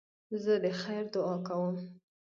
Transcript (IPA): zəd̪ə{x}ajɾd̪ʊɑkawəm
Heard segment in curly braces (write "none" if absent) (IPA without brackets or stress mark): x